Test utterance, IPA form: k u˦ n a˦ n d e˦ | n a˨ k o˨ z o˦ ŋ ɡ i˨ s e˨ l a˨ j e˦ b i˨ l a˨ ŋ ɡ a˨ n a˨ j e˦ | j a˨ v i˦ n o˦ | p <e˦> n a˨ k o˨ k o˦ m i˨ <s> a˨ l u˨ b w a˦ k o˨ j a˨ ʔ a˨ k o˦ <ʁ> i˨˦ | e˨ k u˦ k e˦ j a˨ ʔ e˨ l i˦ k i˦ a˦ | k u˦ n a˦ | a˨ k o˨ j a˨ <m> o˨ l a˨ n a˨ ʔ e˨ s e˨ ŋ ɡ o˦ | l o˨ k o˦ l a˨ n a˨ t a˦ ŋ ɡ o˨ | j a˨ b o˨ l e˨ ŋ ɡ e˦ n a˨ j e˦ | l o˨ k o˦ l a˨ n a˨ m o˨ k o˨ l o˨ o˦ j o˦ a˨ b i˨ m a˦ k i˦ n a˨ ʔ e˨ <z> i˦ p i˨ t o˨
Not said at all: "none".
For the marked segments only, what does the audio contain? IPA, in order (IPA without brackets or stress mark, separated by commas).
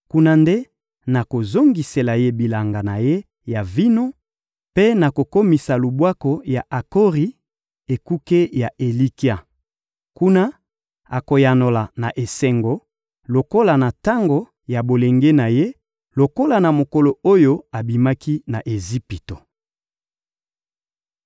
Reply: e˦, s, ʁ, n, z